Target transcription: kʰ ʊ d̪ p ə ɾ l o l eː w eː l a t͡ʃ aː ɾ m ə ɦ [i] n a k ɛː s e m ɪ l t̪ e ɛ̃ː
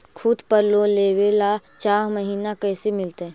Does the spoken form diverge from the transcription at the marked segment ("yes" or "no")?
yes